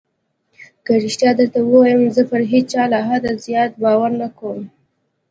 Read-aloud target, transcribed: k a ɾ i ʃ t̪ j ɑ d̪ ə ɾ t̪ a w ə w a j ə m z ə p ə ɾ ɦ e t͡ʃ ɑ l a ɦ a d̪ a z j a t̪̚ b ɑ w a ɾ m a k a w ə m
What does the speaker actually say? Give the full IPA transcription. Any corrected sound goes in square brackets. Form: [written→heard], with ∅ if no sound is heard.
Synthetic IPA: k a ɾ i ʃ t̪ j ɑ d̪ ə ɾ t̪ a w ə w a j ə m z ə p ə ɾ ɦ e t͡ʃ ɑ l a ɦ a d̪ a z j [a→ɑ] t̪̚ b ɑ w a ɾ [m→n] a k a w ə m